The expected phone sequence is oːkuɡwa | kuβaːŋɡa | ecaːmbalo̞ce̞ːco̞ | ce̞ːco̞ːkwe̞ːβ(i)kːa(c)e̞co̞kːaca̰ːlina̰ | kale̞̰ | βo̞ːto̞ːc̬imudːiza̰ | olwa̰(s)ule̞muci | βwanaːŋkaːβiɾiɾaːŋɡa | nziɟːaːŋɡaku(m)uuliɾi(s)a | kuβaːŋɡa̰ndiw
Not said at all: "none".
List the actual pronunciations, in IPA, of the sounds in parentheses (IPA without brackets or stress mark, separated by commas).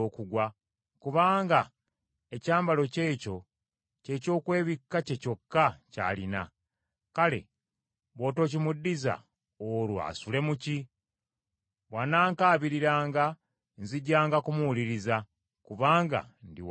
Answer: i, c, s, m, z